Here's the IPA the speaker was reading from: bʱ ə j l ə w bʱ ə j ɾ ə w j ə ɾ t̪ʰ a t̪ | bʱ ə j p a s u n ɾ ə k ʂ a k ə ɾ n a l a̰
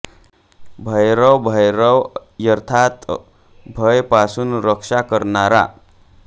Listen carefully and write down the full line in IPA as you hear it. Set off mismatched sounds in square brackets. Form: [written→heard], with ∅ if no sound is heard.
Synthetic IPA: bʱ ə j [l→ɾ] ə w bʱ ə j ɾ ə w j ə ɾ t̪ʰ a t̪ | bʱ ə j p a s u n ɾ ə k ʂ a k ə ɾ n a [l→ɾ] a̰